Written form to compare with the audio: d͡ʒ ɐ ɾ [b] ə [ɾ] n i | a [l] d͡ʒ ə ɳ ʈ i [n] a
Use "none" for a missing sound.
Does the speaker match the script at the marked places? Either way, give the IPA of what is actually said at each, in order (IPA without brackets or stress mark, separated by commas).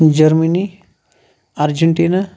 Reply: m, none, ɾ, n